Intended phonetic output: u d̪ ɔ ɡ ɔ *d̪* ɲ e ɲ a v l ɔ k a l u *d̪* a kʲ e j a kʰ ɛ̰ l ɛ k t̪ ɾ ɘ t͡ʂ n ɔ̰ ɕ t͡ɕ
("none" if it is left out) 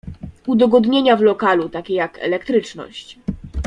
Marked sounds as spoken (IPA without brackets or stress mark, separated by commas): d̪, t̪